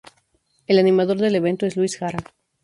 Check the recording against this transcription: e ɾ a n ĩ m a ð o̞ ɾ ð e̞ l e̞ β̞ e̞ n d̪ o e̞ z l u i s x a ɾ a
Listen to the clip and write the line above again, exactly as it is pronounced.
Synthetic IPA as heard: e l a n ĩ m a ð o̞ ɾ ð e̞ l e̞ β̞ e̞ n t̪ o e̞ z l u i s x a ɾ a

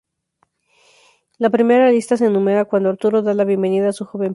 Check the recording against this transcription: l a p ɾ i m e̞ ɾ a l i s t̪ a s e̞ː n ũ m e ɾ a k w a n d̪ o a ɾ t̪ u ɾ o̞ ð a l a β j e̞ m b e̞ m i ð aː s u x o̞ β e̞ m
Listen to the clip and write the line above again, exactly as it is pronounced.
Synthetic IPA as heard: l a p ɾ i m e̞ ɾ a l i s t̪ a s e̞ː n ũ m e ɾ a k w a n d̪ o a ɾ t̪ u ɾ o̞ ð a l a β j e̞ m b e̞ n i ð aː s u x o̞ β e̞ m

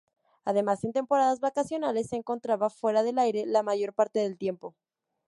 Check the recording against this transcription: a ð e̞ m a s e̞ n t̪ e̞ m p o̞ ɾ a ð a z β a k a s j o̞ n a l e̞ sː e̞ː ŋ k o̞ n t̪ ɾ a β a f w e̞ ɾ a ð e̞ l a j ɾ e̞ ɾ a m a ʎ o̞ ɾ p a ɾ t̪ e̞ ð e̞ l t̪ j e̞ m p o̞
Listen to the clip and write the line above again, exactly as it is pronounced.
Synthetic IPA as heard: a ð e̞ m a s e̞ n t̪ e̞ m p o̞ ɾ a ð a z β a k a s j o̞ n a l e̞ sː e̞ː ŋ k o̞ n t̪ ɾ a β a f w e̞ ɾ a ð e̞ l a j ɾ e̞ l a m a ʝ o̞ ɾ p a ɾ t̪ e̞ ð e̞ l t̪ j e̞ m p o̞

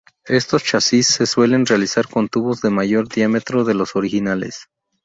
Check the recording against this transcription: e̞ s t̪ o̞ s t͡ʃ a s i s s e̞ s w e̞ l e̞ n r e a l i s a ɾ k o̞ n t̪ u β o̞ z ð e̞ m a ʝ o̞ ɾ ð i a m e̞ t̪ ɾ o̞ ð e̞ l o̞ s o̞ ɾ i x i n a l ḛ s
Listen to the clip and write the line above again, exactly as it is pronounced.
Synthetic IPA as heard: e̞ s t̪ o̞ s t͡ʃ a s i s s e̞ s w e̞ l e̞ n r e a l i s a ɾ k o̞ n t̪ u β o̞ z ð e̞ m a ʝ o̞ ɾ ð j a m e̞ t̪ ɾ o̞ ð e̞ l o̞ s o̞ ɾ i x i n a l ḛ s

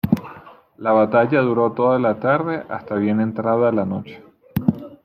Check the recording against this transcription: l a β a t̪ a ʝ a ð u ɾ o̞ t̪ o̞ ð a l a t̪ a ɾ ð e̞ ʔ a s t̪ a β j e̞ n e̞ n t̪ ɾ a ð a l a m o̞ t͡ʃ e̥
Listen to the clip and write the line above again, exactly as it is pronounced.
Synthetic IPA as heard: l a β a t̪ a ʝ a ð u ɾ o̞ t̪ o̞ ð a l a t̪ a ɾ ð e̞ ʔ a s t̪ a β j e̞ n e̞ n t̪ ɾ a ð a l a n o̞ t͡ʃ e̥

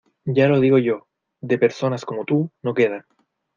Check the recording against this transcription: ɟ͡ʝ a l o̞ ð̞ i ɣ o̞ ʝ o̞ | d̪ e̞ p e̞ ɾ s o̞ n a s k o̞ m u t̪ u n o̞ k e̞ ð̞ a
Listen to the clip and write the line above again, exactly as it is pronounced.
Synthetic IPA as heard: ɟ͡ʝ a l o̞ ð̞ i ɣ o̞ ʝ o̞ | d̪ e̞ p e̞ ɾ s o̞ n a s k o̞ m o t̪ u n o̞ k e̞ ð̞ a

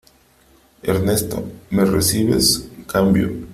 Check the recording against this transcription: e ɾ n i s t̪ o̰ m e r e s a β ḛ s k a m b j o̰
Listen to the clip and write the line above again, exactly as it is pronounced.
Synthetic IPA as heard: e ɾ n e s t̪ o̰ m e r e s i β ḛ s k a m b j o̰

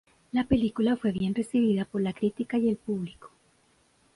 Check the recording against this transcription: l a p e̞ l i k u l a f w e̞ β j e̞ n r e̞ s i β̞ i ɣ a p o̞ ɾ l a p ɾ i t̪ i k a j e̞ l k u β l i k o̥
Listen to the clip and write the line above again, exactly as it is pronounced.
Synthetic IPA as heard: l a p e̞ l i k u l a f w e̞ β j e̞ n r e̞ s i β̞ i ð a p o̞ ɾ l a k ɾ i t̪ i k a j e̞ l p u β l i k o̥

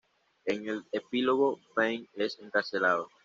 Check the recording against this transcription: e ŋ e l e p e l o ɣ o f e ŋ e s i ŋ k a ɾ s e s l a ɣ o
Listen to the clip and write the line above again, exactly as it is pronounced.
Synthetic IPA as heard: e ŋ e l e p i l o ɣ o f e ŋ e s e ŋ k a ɾ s e l a ð o

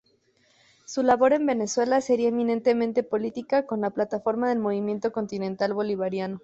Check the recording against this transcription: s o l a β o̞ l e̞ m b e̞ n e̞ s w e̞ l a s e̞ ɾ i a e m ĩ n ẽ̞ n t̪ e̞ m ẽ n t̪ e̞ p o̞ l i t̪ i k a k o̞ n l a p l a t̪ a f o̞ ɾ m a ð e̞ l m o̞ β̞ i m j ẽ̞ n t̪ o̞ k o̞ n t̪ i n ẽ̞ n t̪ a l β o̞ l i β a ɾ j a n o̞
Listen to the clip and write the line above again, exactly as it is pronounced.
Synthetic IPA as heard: s u l a β o̞ ɾ e̞ m b e̞ n e̞ s w e̞ l a s e̞ ɾ i a e m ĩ n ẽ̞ n t̪ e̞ m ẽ n t̪ e̞ p o̞ l i t̪ i k a k o̞ n l a p l a t̪ a f o̞ ɾ m a ð e̞ l m o̞ β̞ i m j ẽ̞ n t̪ o̞ k o̞ n t̪ i n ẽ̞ n t̪ a l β o̞ l i β a ɾ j a n o̞

